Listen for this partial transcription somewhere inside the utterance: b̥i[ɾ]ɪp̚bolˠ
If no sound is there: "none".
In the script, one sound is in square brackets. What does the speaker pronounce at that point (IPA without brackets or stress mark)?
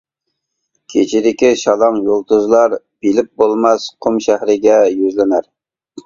l